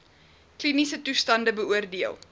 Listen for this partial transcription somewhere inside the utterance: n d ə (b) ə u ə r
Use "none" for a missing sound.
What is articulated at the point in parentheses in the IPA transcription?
b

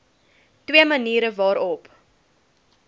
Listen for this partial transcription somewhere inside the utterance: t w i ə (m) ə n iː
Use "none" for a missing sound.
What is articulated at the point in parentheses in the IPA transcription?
m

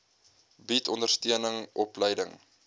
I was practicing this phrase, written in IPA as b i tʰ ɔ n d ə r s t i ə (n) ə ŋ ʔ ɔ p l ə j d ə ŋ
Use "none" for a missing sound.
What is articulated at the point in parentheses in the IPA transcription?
n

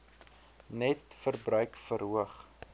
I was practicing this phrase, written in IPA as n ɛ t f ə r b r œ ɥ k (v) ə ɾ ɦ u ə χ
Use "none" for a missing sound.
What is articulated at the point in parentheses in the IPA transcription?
f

